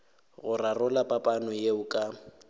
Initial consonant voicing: voiced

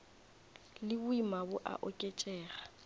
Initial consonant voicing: voiced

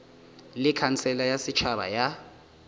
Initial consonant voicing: voiced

